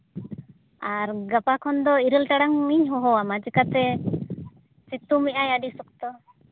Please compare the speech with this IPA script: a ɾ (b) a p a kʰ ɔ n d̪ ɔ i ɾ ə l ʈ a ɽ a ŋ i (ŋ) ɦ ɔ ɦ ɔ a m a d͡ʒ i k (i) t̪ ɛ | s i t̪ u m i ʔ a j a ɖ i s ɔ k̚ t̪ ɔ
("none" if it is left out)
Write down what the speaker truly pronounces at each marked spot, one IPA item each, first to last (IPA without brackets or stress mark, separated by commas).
ɡ, ɲ, a